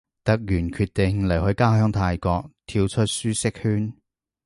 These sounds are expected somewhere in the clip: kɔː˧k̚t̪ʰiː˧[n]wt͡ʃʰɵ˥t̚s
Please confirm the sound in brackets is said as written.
no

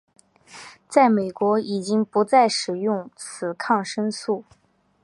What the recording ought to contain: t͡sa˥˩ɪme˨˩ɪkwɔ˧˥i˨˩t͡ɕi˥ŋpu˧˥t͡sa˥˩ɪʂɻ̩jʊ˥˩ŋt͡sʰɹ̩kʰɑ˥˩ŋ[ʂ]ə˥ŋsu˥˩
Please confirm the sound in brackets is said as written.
yes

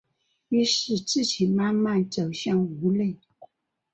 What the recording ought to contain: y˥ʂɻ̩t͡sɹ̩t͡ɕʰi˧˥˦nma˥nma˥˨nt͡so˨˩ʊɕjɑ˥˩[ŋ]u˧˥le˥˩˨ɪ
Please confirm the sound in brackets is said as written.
yes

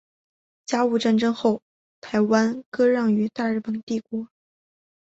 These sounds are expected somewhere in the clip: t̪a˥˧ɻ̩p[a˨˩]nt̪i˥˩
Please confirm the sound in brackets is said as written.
no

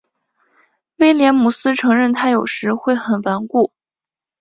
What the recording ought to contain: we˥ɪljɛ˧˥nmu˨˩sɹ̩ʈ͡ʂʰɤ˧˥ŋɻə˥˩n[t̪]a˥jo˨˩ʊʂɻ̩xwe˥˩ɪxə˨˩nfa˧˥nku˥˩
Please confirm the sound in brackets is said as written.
no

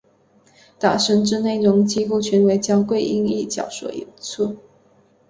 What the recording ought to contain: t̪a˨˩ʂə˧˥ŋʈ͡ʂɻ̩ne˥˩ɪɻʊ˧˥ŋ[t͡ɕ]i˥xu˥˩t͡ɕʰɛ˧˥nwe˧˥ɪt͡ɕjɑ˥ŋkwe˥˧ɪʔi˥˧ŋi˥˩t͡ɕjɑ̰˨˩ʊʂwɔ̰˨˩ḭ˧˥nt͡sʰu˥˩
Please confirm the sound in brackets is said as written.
yes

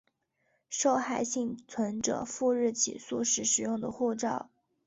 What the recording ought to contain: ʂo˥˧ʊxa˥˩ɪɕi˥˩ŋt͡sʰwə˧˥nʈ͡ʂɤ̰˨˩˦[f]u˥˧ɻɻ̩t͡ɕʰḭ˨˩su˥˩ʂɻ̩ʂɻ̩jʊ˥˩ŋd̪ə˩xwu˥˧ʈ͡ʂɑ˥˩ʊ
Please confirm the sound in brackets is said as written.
yes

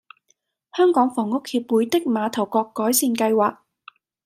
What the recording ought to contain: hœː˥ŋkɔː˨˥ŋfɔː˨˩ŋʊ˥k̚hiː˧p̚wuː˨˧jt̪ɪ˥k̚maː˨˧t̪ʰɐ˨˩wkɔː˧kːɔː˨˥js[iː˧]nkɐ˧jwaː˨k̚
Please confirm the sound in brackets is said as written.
yes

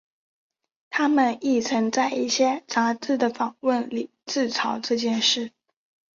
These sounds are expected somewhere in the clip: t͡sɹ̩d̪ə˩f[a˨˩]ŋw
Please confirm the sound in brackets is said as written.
no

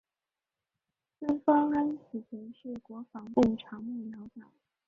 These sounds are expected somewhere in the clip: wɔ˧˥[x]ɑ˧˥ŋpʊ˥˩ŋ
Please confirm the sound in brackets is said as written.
no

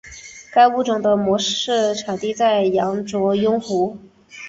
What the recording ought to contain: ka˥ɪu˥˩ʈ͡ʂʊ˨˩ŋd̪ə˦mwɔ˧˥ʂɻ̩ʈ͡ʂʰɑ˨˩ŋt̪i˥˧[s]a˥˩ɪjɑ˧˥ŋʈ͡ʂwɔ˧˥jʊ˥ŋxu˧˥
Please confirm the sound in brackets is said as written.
no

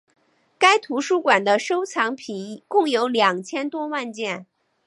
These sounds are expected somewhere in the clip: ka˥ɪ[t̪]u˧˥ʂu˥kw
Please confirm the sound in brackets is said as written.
no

